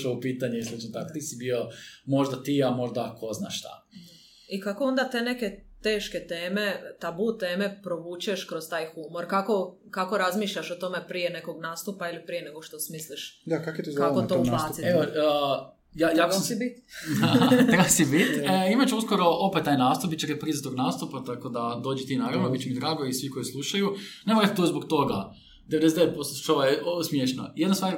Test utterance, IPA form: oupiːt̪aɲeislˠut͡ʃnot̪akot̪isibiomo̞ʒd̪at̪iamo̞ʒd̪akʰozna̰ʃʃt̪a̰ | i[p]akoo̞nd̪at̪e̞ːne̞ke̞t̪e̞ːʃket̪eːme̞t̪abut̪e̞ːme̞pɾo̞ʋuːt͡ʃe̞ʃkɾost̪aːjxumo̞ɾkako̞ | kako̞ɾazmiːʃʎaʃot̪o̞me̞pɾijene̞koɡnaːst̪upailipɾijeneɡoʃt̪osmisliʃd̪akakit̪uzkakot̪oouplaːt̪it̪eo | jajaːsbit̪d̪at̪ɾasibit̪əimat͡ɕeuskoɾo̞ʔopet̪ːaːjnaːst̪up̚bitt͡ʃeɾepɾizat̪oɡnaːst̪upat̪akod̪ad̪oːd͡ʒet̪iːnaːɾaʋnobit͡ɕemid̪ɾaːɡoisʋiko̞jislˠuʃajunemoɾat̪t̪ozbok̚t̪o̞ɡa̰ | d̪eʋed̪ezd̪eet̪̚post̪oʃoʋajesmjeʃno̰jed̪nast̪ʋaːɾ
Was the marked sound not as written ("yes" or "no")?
yes